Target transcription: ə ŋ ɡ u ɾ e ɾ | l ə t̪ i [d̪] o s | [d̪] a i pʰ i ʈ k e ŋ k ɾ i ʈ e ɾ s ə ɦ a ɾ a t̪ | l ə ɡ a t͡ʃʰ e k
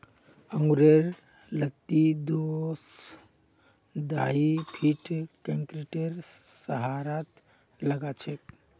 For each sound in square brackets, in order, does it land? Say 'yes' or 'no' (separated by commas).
yes, yes